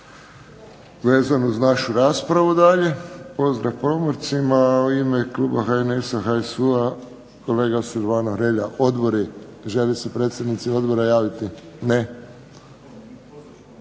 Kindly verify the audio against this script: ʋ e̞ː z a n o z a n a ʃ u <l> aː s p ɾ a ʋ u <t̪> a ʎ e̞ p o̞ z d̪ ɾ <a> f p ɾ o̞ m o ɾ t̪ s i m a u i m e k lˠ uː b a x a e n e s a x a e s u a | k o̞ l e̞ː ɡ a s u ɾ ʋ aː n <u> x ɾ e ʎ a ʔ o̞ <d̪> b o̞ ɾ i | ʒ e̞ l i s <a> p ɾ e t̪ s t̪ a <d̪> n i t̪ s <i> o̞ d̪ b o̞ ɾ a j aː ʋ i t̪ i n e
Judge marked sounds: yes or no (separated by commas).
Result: no, no, yes, no, yes, no, yes, yes